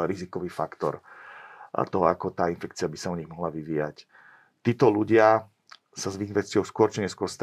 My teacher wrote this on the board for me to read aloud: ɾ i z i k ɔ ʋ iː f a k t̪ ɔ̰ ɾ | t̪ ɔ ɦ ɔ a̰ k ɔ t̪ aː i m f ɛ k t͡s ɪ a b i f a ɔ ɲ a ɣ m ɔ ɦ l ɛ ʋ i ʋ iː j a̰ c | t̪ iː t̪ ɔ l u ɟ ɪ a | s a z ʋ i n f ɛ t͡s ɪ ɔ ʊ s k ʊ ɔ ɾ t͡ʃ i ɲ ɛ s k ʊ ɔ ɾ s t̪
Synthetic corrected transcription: ɾ i z i k ɔ ʋ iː f a k t̪ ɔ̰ ɾ | t̪ ɔ ɦ ɔ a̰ k ɔ t̪ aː i n f ɛ k t͡s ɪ a b i s a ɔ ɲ i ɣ m ɔ ɦ l a ʋ i ʋ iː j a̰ c | t̪ iː t̪ ɔ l u ɟ ɪ a | s a z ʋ i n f ɛ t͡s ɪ ɔ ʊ s k ʊ ɔ ɾ t͡ʃ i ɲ ɛ s k ʊ ɔ ɾ s t̪